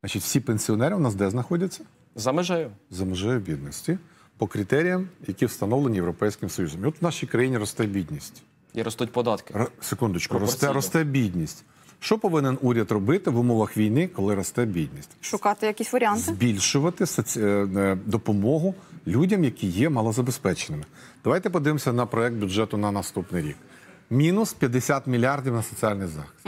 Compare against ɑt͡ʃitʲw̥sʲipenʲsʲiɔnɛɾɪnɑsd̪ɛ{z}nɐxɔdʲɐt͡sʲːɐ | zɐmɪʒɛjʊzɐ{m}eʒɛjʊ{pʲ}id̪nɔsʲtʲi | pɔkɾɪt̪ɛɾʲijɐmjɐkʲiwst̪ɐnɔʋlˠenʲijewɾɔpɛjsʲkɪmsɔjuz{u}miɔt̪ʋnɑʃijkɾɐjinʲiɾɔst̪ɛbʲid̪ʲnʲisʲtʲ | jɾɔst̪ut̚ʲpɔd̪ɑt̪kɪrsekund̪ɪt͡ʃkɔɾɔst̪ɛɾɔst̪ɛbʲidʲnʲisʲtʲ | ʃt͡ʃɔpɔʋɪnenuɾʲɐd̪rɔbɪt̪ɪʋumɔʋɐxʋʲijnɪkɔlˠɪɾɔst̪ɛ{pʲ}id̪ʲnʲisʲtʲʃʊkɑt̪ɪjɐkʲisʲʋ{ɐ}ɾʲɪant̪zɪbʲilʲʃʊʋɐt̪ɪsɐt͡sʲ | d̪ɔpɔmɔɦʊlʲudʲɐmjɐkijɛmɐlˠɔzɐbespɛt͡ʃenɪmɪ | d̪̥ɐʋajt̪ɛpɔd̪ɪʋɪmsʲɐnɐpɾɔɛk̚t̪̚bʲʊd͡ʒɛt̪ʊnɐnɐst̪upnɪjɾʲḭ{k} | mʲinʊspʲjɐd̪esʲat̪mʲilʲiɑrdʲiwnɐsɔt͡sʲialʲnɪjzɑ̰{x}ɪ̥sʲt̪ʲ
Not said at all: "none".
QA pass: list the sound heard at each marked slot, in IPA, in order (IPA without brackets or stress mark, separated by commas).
z, m, bʲ, ɔ, bʲ, ɐ, k, x